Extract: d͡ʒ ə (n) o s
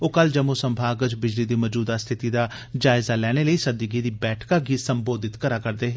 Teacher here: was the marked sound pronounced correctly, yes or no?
no